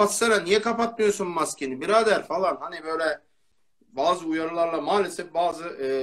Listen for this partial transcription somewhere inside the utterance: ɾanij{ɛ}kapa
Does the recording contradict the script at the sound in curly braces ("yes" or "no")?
no